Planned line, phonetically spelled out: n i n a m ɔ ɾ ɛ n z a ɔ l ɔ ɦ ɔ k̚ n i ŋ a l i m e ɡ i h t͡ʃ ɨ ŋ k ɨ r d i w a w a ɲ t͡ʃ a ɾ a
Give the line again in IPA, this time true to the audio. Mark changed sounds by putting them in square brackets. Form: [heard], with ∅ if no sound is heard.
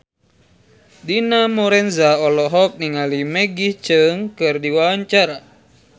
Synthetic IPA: [d] i n a m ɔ ɾ ɛ n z a ɔ l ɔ ɦ ɔ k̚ n i ŋ a l i m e ɡ i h t͡ʃ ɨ ŋ k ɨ r d i w a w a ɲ t͡ʃ a ɾ a